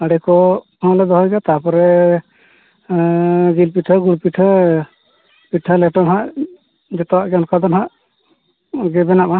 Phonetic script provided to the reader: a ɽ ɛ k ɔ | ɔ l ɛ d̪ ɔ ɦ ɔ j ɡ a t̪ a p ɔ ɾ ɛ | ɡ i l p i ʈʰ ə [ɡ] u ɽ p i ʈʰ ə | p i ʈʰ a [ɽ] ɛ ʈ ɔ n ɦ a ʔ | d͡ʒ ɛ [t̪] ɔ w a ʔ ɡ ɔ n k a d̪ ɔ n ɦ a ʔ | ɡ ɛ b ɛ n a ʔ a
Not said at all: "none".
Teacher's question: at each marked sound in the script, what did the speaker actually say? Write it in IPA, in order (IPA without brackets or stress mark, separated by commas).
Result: ɡ, l, t̪